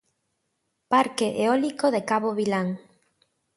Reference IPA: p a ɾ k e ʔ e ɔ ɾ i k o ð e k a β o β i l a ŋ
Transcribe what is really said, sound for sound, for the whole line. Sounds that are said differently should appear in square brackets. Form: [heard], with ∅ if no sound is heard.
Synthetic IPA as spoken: p a ɾ k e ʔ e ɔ [l] i k o ð e k a β o β i l a ŋ